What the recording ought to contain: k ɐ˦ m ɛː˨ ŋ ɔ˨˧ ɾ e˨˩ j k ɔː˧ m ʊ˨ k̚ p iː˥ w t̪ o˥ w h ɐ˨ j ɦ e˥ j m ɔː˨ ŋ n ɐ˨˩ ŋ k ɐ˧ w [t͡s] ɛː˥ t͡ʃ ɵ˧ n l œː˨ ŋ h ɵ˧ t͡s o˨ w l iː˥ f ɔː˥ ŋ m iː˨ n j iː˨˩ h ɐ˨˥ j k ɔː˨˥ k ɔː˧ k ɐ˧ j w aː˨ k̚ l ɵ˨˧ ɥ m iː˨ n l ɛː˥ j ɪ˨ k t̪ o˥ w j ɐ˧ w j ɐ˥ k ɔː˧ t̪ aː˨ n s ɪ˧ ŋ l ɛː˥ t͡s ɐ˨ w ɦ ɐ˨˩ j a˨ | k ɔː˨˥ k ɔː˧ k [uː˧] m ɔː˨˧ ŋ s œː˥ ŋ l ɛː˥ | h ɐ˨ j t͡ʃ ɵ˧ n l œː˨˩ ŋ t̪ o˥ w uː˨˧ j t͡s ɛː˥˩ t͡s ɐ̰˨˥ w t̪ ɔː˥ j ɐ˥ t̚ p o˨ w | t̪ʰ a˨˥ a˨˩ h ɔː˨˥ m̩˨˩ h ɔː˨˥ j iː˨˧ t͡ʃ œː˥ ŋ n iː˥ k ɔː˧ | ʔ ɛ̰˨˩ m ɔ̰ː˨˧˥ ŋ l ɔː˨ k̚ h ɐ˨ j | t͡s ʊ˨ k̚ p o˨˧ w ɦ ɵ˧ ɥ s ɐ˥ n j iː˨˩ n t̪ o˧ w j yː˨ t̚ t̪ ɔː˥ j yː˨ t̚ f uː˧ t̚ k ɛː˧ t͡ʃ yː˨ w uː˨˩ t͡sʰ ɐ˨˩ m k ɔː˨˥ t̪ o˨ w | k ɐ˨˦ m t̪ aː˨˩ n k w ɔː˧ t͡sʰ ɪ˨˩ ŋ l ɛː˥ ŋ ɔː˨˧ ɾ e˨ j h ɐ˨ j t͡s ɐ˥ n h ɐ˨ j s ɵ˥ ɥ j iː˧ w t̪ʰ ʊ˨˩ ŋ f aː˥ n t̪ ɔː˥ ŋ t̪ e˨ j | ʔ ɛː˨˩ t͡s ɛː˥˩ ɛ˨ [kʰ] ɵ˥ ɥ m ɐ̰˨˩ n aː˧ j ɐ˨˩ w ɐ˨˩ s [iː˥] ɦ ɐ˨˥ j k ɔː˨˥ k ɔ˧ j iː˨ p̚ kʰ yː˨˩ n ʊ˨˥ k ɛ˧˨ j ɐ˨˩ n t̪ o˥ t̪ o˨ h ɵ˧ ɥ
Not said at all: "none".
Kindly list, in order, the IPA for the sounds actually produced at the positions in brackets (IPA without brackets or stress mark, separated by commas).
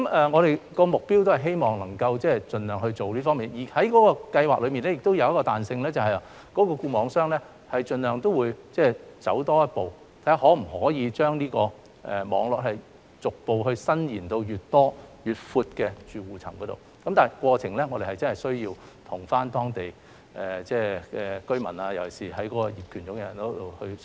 t͡s, uː˧, k, iː˨˩